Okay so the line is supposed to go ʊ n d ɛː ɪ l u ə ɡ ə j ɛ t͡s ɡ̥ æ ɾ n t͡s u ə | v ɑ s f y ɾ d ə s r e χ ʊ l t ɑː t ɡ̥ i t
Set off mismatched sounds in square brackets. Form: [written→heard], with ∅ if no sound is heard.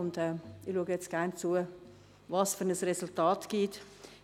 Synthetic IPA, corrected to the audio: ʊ n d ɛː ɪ l u ə ɡ ə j ɛ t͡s ɡ̥ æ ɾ n t͡s u ə | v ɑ s f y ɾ [d→n] ə s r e [χ→s] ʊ l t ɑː t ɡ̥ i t